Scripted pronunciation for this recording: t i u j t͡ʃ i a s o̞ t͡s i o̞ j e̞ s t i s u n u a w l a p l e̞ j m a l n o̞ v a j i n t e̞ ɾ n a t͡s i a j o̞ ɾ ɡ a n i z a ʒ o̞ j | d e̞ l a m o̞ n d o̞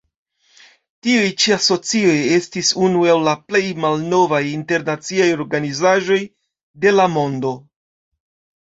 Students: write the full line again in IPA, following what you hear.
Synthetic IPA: t i u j t͡ʃ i a s o̞ t͡s i o̞ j e̞ s t i s u n u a w l a p l e̞ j m a l n o̞ v a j i n t e̞ ɾ n a t͡s i a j o̞ ɾ ɡ a n i z a ʒ o̞ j | d e̞ l a m o̞ n d o̞